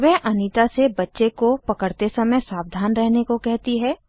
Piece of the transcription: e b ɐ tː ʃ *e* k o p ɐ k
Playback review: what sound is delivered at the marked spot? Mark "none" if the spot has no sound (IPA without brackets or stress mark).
e